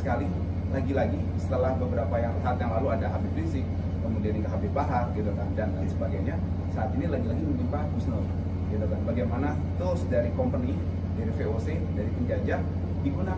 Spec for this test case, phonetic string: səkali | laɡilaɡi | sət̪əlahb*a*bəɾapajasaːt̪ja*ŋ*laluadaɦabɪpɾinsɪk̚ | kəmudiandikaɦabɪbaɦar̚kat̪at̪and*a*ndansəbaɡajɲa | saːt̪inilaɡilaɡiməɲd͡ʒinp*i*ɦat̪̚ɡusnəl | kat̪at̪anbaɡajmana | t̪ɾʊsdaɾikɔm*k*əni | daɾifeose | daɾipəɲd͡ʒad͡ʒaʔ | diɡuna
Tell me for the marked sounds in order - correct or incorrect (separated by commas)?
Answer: incorrect, correct, correct, incorrect, incorrect